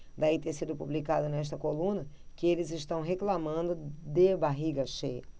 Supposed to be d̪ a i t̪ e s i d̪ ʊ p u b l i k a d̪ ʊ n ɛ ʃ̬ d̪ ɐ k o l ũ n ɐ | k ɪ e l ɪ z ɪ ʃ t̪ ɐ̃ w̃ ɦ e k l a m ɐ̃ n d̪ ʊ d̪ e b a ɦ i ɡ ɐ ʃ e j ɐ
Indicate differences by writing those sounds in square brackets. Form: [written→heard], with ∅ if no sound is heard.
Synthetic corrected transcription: d̪ a i t̪ e s i d̪ ʊ p u b l i k a d̪ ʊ n ɛ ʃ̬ [d̪→t̪] ɐ k o l ũ n ɐ | k ɪ e l ɪ z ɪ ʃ t̪ ɐ̃ w̃ ɦ e k l a m ɐ̃ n d̪ ʊ d̪ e b a ɦ i ɡ ɐ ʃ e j ɐ

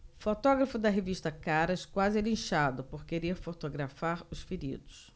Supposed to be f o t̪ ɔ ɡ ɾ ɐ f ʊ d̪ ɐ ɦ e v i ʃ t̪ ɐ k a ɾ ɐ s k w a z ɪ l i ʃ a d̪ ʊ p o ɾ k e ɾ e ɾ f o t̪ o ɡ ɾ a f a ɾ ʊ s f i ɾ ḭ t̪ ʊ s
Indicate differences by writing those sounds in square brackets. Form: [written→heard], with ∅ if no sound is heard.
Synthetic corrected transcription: f o t̪ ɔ ɡ ɾ ɐ f ʊ d̪ ɐ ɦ e v i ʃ t̪ ɐ k a ɾ ɐ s k w a z ɪ l [i→ĩ] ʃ a d̪ ʊ p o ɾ k e ɾ e ɾ f o t̪ o ɡ ɾ a f a ɾ ʊ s f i ɾ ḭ [t̪→d̪] ʊ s

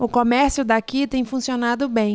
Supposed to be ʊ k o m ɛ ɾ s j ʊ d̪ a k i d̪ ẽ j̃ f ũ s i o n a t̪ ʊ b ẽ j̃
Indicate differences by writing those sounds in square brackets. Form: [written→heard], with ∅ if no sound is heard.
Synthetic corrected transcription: ʊ k o m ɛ ɾ s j ʊ d̪ a k i [d̪→t̪] ẽ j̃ f ũ s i o n a [t̪→d̪] ʊ b ẽ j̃

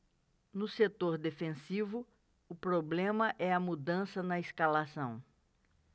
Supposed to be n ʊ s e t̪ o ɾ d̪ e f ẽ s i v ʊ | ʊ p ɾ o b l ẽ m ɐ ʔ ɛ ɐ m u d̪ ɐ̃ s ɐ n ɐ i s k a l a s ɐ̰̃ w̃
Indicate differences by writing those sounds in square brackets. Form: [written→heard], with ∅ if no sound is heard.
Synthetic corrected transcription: n ʊ s e t̪ o ɾ d̪ e f ẽ s i v ʊ | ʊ p ɾ o b l ẽ m ɐ ʔ ɛ ɐ m u d̪ ɐ̃ s ɐ n ɐ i s k a l a s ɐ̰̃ w̃

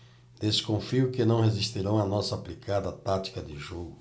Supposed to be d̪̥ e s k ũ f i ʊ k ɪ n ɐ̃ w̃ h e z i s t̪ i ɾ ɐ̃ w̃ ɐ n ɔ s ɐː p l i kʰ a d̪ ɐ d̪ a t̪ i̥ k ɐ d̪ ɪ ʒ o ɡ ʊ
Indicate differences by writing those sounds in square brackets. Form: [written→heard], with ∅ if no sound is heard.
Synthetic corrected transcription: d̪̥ e s k [ũ→õ] f i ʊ k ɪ n ɐ̃ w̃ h e z i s t̪ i ɾ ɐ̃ w̃ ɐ n ɔ s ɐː p l i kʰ a d̪ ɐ [d̪→t̪] a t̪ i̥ k ɐ d̪ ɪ ʒ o ɡ ʊ

